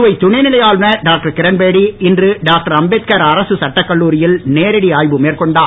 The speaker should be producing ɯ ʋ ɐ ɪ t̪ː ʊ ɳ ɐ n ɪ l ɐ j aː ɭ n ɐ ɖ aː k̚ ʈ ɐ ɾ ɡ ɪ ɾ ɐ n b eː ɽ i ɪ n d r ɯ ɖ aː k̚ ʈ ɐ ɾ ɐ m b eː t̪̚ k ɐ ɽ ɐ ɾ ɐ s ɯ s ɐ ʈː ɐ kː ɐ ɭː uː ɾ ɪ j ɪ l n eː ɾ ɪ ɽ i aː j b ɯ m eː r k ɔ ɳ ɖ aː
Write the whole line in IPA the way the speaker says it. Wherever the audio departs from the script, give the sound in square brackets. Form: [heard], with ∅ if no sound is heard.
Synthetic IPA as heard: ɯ ʋ ɐ ɪ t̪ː ʊ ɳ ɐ n ɪ l ɐ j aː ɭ n ɐ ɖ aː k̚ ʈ ɐ ɾ [k] ɪ ɾ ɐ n b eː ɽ i ɪ n d r ɯ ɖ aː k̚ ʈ ɐ ɾ ɐ m b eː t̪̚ k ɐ [ɾ] ɐ ɾ ɐ s ɯ s ɐ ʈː ɐ kː ɐ ɭː uː ɾ ɪ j ɪ l n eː ɾ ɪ ɽ i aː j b ɯ m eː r k ɔ ɳ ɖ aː